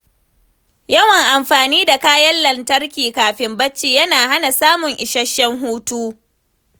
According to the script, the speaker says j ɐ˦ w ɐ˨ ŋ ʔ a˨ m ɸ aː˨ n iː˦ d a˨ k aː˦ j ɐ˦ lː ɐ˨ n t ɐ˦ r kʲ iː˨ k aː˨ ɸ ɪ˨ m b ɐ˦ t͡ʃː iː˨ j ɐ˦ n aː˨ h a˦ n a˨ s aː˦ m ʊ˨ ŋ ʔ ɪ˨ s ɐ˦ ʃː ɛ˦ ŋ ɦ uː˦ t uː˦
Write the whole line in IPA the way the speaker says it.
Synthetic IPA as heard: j ɐ˦ w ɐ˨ ŋ ʔ a˨ m ɸ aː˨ n iː˦ d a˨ k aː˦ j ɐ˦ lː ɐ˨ n t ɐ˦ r kʲ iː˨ k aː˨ ɸ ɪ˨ m b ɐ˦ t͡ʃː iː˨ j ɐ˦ n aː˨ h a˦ n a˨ s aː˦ m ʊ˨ ŋ ʔ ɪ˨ ʃ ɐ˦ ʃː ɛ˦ ŋ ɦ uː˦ t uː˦